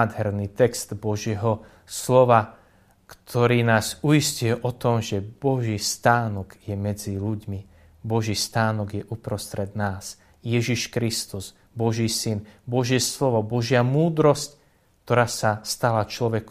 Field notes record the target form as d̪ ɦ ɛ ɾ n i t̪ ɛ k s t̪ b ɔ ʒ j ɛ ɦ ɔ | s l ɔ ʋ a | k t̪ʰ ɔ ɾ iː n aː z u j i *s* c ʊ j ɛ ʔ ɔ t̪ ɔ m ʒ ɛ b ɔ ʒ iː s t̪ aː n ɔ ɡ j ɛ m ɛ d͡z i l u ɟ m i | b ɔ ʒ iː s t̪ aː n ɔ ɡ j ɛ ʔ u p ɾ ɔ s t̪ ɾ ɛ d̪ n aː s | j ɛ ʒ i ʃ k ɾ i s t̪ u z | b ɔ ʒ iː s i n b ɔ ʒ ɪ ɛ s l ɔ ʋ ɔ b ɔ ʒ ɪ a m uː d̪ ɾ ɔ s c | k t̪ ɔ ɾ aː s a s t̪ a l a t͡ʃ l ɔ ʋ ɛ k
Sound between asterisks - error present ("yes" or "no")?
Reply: no